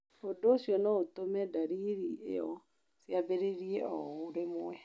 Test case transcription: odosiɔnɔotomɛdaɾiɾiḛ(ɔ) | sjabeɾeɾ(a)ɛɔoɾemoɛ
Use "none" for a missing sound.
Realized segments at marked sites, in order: ɔ, i

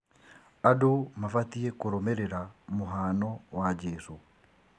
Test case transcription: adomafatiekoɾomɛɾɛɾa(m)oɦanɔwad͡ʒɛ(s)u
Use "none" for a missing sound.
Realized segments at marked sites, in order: m, s

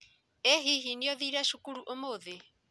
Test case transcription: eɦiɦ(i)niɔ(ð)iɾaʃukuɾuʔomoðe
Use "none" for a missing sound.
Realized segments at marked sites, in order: i, ð

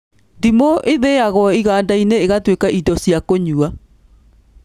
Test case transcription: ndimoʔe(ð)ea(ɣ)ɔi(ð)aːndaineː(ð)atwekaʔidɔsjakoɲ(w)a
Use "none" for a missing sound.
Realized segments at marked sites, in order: ð, ɣ, ɣ, ɣ, u

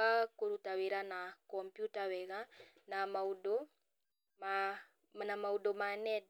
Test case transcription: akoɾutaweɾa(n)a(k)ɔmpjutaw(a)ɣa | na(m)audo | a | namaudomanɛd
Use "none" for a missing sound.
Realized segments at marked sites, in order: n, k, ɛ, m

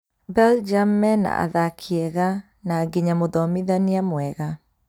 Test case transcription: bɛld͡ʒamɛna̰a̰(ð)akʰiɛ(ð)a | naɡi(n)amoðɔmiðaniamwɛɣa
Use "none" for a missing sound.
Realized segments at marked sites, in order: ð, ɣ, ɲ

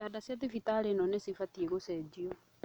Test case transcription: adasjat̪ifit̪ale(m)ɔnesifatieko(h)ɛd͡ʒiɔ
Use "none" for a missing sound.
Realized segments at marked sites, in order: n, s

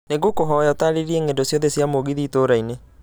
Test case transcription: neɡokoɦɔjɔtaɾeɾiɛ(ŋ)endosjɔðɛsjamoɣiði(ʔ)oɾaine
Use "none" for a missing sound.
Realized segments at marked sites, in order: ŋ, t

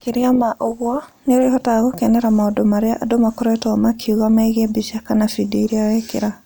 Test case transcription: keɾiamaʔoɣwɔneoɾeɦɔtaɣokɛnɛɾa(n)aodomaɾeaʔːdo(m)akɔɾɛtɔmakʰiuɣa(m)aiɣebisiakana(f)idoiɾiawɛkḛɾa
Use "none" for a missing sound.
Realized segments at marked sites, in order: m, m, m, f

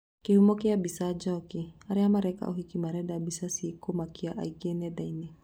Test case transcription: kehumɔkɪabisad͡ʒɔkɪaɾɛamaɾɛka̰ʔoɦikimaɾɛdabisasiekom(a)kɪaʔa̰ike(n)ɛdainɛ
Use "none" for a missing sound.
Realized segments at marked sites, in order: a, n

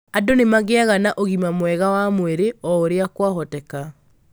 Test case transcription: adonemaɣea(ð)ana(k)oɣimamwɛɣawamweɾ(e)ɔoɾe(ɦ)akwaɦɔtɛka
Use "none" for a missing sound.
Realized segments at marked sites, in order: ɣ, ʔ, e, none

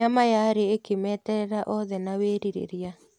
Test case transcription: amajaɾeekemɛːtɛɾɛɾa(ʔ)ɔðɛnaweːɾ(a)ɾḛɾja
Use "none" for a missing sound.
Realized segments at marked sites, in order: ʔ, i

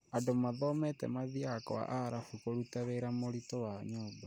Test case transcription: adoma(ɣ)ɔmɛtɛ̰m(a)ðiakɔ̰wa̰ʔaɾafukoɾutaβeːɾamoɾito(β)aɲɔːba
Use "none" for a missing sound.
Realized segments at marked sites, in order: ð, a, w

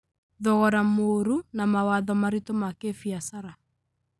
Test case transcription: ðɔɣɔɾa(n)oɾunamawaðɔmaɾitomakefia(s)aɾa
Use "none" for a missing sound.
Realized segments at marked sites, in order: m, s

